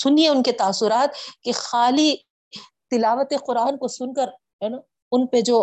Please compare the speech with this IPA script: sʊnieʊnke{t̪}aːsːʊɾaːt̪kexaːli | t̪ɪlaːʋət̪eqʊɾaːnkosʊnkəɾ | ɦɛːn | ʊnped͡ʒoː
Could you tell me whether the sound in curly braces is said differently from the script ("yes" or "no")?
no